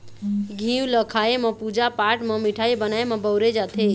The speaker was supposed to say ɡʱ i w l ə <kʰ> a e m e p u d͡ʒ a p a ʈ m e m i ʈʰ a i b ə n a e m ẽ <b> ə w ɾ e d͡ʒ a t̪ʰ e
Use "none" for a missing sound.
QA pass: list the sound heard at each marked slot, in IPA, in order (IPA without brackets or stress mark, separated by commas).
kʰ, b